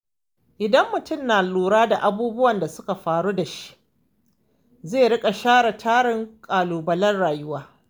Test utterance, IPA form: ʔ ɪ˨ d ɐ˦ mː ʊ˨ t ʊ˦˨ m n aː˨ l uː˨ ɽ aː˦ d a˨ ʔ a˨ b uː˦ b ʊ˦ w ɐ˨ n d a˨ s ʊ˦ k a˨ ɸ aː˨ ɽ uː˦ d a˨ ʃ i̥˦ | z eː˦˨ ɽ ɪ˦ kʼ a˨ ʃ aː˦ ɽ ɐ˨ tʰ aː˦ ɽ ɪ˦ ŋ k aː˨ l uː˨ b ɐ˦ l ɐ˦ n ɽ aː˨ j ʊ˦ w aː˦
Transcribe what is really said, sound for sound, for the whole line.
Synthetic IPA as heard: ʔ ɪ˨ d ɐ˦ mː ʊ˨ t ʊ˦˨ m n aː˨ l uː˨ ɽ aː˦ d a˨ ʔ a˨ b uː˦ b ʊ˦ w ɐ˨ n d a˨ s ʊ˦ k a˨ ɸ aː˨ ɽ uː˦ d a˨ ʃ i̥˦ | z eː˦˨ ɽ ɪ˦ kʼ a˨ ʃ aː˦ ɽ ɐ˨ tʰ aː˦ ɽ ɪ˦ ŋ kʼ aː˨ l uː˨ b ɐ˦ l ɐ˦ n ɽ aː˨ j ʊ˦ w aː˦